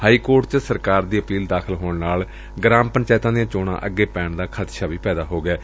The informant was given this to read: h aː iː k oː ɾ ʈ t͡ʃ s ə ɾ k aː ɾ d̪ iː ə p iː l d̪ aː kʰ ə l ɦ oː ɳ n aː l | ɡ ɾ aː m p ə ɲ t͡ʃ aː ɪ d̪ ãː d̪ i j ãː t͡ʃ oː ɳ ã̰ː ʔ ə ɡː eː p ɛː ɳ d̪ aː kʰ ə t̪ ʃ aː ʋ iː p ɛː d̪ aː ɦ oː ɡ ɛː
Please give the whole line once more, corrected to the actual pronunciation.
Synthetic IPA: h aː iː k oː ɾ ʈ t͡ʃ s ə ɾ k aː ɾ d̪ iː ə p iː l d̪ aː kʰ ə l ɦ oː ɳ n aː l | ɡ ɾ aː m p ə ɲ t͡ʃ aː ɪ t̪ ãː d̪ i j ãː t͡ʃ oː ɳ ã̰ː ʔ ə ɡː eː p ɛː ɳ d̪ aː kʰ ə t̪ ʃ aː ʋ iː p ɛː d̪ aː ɦ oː ɡ ɛː